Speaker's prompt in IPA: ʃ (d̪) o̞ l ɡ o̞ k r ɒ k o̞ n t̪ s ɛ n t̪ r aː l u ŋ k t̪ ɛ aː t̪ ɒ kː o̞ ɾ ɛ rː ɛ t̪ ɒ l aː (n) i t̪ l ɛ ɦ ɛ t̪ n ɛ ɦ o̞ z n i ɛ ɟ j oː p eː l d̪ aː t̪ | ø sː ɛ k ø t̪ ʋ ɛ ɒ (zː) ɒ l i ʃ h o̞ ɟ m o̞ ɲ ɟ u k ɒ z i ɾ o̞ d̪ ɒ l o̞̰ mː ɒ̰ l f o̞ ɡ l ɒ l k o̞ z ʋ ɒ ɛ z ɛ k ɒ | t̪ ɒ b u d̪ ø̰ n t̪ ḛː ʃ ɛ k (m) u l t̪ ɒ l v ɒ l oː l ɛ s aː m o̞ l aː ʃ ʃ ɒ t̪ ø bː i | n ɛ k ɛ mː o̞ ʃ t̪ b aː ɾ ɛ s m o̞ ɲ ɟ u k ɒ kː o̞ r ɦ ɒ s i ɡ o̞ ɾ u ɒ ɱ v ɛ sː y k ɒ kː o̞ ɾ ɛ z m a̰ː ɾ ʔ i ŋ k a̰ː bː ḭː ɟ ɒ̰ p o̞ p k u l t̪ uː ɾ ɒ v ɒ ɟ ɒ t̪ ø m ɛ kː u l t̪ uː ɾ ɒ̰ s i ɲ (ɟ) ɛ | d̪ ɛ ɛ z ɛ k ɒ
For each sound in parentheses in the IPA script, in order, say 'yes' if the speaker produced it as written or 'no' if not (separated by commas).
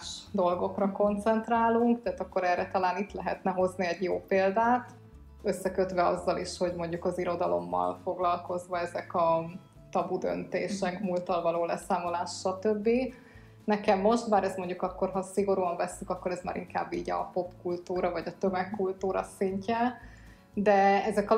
yes, yes, yes, yes, no